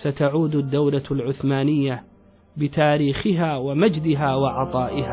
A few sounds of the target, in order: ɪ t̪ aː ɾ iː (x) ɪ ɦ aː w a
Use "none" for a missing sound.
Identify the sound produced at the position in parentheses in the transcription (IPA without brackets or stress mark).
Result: x